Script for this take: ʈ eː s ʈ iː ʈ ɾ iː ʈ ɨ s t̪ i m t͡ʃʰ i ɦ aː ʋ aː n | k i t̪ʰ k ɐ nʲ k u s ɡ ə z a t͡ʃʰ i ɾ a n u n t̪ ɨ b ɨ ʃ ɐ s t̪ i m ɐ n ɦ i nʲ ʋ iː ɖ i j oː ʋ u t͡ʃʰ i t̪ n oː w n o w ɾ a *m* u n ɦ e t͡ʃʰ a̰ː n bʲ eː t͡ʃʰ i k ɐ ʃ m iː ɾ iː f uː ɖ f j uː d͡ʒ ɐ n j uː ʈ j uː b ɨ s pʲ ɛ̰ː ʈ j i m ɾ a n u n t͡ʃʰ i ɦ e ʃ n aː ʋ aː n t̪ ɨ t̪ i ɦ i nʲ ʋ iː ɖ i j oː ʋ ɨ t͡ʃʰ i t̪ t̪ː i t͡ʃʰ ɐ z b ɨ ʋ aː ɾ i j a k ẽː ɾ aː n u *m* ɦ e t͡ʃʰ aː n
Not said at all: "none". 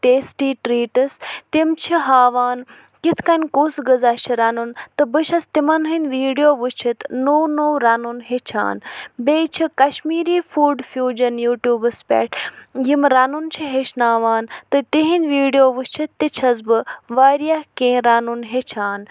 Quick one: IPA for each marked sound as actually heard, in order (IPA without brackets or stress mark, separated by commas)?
n, n